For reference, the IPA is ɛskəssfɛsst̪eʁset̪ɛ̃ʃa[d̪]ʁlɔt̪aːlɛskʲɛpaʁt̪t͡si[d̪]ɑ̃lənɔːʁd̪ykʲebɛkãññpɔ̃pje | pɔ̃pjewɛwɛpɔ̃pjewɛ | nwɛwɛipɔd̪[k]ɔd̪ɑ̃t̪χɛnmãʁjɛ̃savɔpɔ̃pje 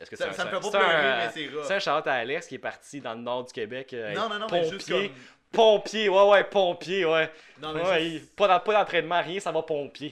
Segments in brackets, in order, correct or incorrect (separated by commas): incorrect, correct, incorrect